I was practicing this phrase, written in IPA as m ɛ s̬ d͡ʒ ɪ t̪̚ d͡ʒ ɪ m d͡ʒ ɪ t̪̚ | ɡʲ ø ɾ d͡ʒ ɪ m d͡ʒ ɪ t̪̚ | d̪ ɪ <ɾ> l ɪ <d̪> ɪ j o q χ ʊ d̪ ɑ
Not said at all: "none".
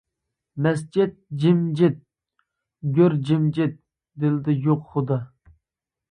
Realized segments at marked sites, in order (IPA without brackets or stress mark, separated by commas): none, d̪